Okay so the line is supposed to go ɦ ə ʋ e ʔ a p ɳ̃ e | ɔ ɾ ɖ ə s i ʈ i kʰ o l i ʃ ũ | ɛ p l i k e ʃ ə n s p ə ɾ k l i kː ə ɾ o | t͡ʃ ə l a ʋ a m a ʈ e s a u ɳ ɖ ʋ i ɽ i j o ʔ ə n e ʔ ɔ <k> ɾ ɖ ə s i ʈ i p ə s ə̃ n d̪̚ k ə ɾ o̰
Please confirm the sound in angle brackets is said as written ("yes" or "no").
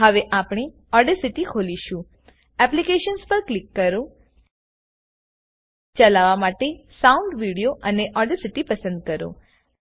no